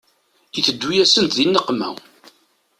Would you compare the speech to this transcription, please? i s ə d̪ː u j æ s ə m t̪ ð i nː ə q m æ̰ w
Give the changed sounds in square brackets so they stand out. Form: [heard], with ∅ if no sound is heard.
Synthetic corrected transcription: i [θ] ə d̪ː u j æ s ə [n] t̪ ð i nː ə q m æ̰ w